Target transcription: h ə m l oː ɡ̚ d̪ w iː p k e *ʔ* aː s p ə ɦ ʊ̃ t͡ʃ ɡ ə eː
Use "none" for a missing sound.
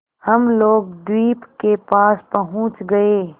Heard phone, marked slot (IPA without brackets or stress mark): p